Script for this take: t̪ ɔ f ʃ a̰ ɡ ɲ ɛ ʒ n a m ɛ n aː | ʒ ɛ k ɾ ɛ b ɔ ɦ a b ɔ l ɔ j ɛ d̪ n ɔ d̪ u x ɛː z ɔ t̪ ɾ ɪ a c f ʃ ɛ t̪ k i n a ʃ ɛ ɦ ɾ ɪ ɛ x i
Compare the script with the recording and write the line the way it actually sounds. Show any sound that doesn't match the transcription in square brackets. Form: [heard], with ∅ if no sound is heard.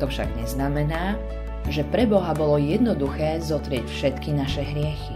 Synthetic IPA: t̪ ɔ f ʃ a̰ ɡ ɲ ɛ [z] n a m ɛ n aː | ʒ ɛ [p] ɾ ɛ b ɔ ɦ a b ɔ l ɔ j ɛ d̪ n ɔ d̪ u x ɛː z ɔ t̪ ɾ ɪ [ɛ] c f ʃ ɛ t̪ k i n a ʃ ɛ ɦ ɾ ɪ ɛ x i